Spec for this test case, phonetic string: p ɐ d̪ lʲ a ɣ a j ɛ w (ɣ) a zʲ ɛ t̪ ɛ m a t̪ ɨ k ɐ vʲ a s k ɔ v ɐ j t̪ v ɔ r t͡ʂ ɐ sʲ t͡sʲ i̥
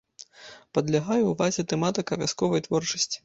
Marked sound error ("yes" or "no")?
yes